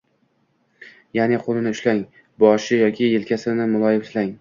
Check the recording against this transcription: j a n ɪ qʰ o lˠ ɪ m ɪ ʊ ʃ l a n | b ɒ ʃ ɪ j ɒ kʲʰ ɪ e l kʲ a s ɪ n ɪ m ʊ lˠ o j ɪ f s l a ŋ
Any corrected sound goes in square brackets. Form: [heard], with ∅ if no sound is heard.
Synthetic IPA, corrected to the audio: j a n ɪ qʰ o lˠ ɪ [n] ɪ ʊ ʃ l a [ŋ] | b ɒ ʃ ɪ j ɒ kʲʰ ɪ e l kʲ a s ɪ n ɪ m ʊ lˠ [ɒ] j ɪ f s l a ŋ